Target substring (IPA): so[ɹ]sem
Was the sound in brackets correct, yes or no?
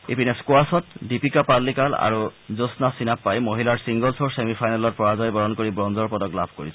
yes